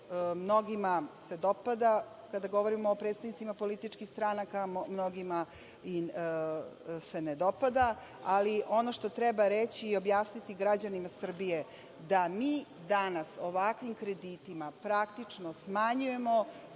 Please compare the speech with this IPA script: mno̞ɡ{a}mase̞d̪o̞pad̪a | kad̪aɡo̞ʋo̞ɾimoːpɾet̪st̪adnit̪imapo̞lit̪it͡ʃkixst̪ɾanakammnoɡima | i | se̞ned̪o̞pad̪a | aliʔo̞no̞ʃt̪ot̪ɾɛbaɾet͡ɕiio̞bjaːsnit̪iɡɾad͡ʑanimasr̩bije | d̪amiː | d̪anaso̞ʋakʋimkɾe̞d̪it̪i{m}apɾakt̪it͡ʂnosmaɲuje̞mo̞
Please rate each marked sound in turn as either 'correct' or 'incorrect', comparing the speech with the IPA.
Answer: incorrect, correct

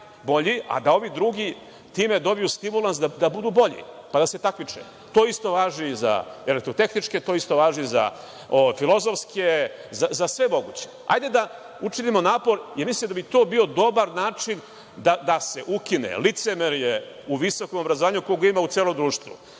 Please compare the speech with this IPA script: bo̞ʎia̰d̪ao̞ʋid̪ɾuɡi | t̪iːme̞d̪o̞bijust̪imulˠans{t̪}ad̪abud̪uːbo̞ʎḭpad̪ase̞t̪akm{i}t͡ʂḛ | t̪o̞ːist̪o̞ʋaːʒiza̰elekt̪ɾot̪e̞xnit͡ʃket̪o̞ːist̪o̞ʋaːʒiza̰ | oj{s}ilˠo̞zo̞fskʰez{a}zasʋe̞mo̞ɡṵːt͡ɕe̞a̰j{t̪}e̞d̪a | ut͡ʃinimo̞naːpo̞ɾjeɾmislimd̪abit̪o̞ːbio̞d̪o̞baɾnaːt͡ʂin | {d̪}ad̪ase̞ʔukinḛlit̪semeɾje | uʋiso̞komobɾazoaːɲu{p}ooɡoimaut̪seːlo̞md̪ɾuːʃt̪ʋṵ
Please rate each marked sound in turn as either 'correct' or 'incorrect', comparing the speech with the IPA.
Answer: incorrect, correct, incorrect, correct, incorrect, correct, incorrect

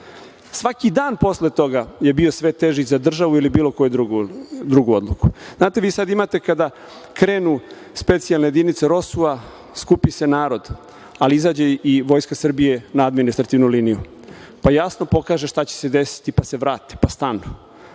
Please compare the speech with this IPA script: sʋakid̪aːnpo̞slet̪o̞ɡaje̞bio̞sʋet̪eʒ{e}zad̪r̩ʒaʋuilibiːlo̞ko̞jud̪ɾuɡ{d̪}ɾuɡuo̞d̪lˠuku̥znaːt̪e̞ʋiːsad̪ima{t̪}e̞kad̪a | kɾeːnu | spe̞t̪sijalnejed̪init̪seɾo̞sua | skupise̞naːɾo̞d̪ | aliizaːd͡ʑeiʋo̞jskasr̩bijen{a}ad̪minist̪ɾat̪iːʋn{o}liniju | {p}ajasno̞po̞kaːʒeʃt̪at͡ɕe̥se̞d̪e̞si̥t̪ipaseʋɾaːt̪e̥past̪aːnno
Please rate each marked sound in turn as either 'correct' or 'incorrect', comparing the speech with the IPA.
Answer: incorrect, correct, correct, correct, incorrect, correct

